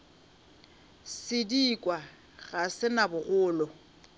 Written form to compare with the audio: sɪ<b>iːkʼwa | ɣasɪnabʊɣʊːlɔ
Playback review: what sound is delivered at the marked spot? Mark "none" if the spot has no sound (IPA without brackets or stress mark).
d